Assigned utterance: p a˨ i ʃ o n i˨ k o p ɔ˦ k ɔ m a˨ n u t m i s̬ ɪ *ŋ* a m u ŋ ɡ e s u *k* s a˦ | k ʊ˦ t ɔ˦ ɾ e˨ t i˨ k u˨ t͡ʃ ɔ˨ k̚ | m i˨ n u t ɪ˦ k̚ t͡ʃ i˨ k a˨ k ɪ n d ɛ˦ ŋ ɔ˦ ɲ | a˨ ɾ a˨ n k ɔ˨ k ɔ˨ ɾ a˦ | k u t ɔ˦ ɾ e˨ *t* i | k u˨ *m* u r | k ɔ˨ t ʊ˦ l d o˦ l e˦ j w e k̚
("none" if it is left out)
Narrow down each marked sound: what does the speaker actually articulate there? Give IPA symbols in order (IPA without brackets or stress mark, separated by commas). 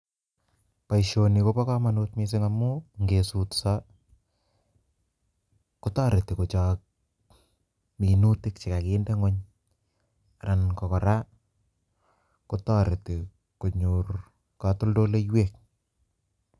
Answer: ŋ, t, t, ɲ